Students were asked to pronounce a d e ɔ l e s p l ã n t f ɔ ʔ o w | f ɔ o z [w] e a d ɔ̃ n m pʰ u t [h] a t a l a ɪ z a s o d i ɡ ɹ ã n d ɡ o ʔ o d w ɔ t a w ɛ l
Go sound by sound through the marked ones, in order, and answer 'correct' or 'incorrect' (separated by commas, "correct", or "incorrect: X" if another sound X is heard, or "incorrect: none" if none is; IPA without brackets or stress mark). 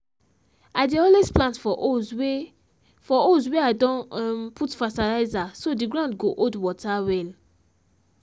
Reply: correct, incorrect: f